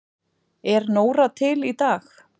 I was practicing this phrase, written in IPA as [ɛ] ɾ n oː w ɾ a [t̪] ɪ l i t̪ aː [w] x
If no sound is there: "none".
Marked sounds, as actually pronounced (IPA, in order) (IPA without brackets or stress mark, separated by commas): ɛ, t̪ʰ, none